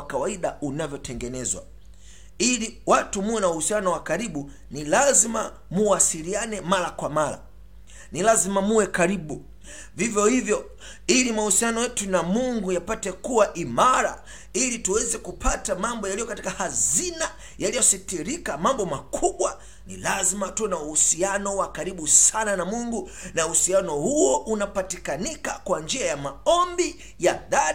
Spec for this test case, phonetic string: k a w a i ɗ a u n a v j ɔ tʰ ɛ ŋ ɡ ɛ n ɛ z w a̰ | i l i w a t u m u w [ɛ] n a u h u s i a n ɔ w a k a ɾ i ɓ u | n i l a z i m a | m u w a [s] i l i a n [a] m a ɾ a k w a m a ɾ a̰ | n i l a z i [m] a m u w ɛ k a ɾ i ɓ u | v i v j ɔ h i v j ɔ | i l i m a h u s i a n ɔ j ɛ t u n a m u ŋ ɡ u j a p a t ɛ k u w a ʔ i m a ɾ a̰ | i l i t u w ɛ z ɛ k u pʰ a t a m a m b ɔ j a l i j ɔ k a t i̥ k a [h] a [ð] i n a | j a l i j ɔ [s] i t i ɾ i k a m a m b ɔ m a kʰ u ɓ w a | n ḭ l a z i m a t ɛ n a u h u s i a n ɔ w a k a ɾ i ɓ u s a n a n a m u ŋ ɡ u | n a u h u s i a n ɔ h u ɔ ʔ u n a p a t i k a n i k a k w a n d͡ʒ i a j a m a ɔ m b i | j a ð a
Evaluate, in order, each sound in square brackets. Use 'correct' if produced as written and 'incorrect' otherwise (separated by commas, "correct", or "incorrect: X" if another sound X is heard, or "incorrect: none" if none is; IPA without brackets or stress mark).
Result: correct, correct, incorrect: ɛ, correct, correct, incorrect: z, correct